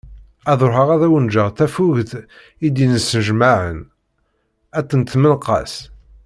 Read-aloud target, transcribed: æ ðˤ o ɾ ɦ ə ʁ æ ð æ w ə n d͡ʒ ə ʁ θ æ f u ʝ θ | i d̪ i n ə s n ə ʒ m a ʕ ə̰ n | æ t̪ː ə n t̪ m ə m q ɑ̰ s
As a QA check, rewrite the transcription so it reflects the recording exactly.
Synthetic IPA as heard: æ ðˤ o ɾ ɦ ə ʁ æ ð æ w ə n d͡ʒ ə ʁ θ æ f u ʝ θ | i d̪ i n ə s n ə ʒ m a ʕ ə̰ n | æ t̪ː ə n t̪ m ə n q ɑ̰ s